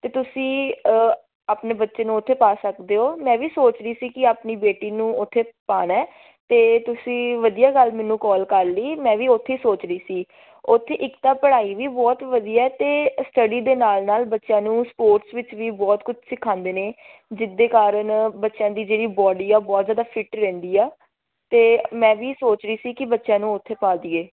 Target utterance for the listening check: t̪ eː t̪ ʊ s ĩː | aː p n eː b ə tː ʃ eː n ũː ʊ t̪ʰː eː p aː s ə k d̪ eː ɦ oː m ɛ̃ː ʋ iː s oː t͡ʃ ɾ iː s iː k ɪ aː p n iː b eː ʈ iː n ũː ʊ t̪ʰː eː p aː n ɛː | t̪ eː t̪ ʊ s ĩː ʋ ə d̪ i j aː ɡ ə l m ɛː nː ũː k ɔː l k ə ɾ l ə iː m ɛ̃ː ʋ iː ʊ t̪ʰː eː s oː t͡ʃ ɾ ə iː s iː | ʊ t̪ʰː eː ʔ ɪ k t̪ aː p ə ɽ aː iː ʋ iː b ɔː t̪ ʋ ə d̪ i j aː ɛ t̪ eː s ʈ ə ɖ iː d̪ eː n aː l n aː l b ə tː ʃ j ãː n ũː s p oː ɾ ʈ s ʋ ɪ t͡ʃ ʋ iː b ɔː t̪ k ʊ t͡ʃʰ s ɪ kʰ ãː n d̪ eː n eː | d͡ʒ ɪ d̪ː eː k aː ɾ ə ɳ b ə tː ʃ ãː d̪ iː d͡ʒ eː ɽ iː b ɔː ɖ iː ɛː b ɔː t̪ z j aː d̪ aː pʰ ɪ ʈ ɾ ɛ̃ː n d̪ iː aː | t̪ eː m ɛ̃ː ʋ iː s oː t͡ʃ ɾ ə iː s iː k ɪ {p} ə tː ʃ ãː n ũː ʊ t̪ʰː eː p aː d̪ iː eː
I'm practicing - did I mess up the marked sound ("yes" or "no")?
yes